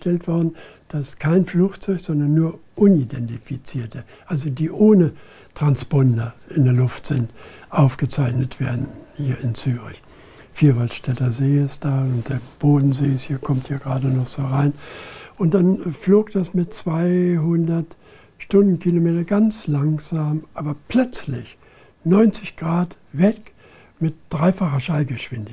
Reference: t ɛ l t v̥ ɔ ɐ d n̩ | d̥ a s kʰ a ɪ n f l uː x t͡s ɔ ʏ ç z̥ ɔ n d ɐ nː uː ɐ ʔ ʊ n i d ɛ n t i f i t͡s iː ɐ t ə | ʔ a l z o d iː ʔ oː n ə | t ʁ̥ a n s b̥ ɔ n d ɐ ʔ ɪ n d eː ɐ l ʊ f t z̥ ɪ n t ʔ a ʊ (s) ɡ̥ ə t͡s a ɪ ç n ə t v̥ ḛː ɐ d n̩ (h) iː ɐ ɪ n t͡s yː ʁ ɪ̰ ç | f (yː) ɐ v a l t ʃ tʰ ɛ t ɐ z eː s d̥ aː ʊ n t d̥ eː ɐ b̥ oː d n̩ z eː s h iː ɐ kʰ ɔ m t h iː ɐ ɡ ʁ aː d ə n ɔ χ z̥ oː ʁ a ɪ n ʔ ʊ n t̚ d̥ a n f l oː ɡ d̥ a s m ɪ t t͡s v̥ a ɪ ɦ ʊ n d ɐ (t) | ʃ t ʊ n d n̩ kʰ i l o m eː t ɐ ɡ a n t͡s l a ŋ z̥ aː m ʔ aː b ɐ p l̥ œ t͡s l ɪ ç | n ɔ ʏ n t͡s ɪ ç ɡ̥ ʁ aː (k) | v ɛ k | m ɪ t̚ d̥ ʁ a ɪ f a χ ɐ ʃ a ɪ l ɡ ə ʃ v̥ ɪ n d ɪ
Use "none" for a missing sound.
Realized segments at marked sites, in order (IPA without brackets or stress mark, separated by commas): f, h, iː, t, t